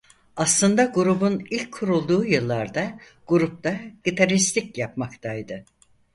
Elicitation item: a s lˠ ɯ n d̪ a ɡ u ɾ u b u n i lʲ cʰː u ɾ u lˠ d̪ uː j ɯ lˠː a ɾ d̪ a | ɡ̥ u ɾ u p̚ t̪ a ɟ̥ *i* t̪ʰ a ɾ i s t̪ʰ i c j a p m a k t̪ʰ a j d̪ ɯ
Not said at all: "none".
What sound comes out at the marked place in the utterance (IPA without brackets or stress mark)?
i